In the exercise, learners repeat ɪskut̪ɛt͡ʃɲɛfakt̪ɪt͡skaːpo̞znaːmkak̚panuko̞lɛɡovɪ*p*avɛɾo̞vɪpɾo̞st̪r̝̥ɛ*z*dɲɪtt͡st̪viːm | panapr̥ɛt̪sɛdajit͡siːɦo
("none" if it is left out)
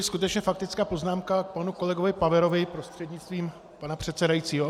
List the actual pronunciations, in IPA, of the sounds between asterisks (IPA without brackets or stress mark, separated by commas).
p, none